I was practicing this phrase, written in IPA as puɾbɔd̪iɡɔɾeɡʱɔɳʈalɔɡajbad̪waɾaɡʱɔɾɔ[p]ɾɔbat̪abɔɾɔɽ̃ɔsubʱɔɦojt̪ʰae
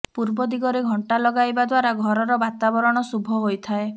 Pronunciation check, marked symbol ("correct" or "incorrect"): incorrect